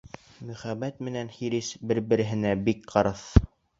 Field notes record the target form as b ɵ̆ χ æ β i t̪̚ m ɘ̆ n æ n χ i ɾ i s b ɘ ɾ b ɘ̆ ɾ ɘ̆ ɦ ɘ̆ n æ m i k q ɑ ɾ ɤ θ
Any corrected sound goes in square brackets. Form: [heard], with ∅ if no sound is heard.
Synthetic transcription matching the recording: [m] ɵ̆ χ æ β [æ] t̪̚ m ɘ̆ n æ n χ i ɾ i s b ɘ ɾ b ɘ̆ ɾ ɘ̆ ɦ ɘ̆ n æ [b] i k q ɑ ɾ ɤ θ